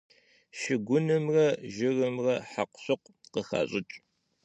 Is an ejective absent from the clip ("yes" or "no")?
no